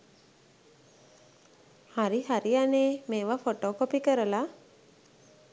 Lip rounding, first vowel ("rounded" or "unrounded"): unrounded